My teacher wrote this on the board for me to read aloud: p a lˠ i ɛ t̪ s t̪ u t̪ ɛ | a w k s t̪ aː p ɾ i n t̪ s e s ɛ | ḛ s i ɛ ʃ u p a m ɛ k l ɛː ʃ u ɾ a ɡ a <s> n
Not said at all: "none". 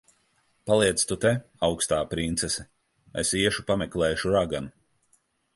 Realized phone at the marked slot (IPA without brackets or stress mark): none